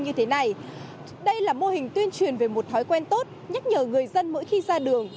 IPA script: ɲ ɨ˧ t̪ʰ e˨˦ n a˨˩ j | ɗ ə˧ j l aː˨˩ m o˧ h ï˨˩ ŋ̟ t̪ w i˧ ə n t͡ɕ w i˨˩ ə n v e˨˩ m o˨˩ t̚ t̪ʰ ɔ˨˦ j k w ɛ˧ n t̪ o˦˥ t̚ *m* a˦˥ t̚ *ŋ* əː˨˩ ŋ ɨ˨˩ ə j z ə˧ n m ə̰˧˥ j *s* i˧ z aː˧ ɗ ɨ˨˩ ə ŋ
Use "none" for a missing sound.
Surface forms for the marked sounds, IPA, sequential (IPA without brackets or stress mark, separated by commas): ɲ, ɲ, x